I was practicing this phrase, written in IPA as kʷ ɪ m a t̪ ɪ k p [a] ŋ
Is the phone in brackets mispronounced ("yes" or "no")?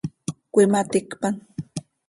no